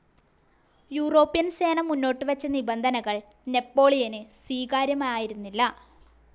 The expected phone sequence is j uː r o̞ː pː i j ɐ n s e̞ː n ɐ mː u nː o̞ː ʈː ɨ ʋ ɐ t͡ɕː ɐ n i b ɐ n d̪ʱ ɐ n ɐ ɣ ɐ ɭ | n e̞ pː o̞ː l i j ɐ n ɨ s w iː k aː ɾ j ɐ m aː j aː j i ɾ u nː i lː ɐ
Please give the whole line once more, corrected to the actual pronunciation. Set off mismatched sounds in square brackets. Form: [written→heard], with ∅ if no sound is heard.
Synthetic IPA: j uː r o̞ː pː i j ɐ n s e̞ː n ɐ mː u nː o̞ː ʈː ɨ ʋ ɐ t͡ɕː ɐ n i b ɐ n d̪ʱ ɐ n ɐ ɣ ɐ ɭ | n e̞ pː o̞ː [l→ɭ] i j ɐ n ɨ s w iː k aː ɾ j ɐ m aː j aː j i ɾ u nː i lː ɐ